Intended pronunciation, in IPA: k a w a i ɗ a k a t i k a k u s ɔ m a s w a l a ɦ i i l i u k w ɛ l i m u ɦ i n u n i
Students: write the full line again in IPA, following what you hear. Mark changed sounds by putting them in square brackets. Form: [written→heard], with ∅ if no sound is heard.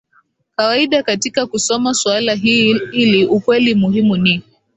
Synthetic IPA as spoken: k a w a i ɗ a k a t i k a k u s ɔ m a s w a l a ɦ i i l i u k w ɛ l i m u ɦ i [n→m] u n i